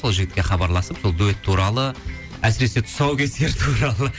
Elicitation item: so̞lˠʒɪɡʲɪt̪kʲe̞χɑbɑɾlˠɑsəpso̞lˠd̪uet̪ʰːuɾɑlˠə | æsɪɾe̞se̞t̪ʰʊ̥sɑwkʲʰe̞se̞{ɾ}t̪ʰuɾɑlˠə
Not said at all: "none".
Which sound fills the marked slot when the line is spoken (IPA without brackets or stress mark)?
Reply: ɾ